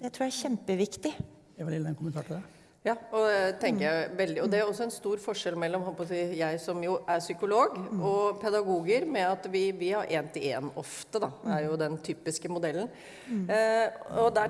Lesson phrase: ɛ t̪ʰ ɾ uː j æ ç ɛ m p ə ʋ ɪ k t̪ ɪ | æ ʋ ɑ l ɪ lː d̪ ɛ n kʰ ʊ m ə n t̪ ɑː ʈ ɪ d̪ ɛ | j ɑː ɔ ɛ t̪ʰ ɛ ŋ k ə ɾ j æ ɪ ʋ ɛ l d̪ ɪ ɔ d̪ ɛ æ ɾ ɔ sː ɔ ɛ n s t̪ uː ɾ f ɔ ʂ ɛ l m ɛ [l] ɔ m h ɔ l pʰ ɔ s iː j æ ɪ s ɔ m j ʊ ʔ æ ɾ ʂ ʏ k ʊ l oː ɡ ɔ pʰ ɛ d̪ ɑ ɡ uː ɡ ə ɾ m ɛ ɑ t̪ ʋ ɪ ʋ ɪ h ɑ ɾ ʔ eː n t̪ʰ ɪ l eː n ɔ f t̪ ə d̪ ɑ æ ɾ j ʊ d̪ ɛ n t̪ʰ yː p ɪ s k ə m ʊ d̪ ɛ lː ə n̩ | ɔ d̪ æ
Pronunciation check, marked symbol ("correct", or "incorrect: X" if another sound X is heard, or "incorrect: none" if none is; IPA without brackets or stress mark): incorrect: lː